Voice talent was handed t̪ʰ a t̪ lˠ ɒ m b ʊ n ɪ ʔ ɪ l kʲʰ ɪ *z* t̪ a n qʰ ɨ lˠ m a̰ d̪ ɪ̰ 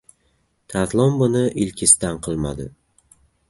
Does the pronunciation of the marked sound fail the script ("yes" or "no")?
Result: yes